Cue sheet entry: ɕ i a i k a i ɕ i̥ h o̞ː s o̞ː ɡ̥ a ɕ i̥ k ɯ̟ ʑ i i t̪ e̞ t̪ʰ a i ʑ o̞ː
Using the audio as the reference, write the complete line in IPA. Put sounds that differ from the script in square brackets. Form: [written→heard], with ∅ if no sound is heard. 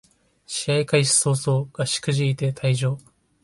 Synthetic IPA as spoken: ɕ i a i k a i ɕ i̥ [h→s] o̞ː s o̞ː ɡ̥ a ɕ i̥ k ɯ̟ ʑ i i t̪ e̞ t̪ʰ a i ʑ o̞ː